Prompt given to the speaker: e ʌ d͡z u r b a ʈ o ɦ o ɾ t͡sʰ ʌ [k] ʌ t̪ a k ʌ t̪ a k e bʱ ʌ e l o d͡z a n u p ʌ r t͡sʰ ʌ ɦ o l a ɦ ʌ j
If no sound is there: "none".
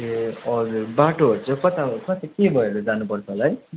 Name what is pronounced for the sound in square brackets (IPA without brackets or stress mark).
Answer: k